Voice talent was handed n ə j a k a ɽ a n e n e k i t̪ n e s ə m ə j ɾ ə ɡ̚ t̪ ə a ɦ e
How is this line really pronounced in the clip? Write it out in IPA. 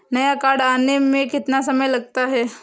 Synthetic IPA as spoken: n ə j a k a ɽ a n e m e k i t̪ n a s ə m ə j l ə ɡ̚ t̪ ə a ɦ e